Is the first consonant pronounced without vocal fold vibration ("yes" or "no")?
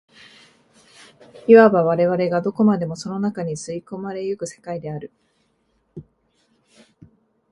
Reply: no